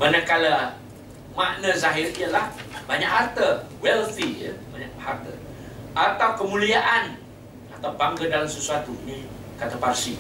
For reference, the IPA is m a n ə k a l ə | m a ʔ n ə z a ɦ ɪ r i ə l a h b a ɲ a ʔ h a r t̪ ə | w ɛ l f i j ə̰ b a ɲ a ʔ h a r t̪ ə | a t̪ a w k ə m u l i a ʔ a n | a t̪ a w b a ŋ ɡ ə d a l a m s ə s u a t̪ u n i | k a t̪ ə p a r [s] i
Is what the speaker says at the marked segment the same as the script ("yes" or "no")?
yes